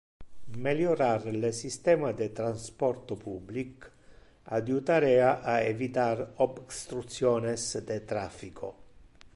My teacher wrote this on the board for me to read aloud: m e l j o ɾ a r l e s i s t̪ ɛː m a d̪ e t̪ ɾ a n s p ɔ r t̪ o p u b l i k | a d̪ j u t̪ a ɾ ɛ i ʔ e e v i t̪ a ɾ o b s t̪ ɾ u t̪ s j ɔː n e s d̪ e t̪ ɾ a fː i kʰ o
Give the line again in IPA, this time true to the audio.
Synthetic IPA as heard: m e l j o ɾ a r l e s i s t̪ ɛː m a d̪ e t̪ ɾ a n s p ɔ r t̪ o p u b l i k | a d̪ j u t̪ a ɾ ɛ a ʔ a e v i t̪ a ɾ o b s t̪ ɾ u t̪ s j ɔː n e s d̪ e t̪ ɾ a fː i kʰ o